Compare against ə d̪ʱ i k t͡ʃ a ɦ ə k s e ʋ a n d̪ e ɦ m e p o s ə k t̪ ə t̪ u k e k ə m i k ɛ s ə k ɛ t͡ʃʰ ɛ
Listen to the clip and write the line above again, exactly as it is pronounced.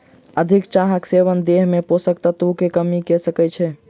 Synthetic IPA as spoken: ə d̪ʱ i k t͡ʃ a ɦ ə k s e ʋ ə n d̪ e ɦ m e p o s ə k t̪ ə t̪ u k e k ə m i k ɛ s ə k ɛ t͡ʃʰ ɛ